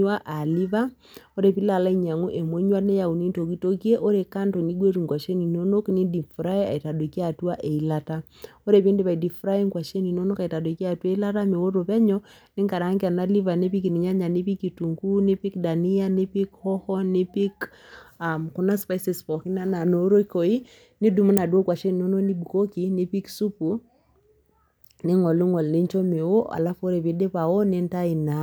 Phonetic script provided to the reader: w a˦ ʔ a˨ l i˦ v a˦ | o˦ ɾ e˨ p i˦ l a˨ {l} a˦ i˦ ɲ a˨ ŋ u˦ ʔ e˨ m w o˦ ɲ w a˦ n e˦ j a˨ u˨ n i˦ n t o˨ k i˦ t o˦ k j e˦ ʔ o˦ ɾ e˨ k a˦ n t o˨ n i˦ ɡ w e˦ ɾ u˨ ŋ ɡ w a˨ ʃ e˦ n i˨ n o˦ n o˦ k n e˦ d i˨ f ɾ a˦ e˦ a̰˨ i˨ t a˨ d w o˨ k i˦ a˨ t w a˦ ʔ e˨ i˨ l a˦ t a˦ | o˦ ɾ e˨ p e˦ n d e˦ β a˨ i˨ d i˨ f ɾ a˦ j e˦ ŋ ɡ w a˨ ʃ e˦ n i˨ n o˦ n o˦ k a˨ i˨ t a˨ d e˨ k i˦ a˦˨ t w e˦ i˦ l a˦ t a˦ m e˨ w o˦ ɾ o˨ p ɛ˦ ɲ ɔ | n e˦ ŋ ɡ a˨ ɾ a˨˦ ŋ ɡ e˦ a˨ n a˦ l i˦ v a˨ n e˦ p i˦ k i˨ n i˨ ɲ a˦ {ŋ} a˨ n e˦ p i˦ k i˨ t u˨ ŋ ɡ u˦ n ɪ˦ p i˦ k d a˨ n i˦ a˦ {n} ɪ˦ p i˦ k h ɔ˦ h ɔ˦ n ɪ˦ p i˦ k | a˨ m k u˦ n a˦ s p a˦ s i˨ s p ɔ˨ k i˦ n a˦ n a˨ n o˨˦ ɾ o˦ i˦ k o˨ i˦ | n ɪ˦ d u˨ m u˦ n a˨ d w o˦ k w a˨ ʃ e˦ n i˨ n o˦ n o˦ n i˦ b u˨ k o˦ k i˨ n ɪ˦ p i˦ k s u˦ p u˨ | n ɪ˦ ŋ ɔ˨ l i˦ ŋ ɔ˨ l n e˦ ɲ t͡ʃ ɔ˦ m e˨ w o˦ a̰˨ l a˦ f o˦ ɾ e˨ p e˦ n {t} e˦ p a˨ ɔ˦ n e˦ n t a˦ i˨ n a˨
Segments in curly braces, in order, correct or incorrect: correct, incorrect: ɲ, correct, incorrect: d

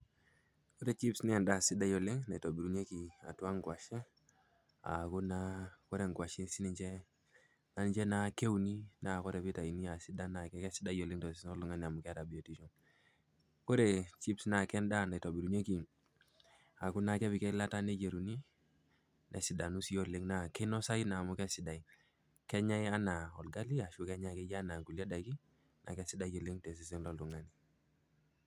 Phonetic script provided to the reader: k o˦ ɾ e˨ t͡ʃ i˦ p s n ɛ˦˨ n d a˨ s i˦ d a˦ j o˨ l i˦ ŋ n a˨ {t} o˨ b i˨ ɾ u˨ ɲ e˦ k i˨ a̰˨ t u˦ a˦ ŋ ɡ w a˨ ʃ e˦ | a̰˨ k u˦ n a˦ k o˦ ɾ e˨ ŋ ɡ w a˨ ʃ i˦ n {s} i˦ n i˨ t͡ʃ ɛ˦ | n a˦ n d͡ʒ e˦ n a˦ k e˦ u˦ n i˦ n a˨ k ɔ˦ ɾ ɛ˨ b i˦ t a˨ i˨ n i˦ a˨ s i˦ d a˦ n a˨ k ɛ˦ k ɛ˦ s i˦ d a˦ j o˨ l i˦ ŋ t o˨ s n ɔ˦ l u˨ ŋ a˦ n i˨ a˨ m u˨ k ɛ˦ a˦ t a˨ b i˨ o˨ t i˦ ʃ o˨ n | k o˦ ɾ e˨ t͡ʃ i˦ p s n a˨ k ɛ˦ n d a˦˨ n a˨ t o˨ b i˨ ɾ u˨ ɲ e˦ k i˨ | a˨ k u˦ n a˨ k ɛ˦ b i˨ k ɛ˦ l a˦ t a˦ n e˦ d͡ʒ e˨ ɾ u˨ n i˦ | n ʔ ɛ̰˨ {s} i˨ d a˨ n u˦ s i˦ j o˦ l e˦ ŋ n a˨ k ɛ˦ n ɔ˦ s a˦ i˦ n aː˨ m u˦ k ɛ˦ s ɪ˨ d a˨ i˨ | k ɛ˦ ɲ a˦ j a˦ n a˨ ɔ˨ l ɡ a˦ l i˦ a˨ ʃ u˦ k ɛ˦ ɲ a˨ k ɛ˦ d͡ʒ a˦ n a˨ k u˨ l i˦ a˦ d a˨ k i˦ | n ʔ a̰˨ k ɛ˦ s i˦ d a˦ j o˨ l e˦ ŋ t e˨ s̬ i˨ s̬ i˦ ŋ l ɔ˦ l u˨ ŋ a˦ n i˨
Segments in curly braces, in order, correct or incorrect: correct, correct, correct

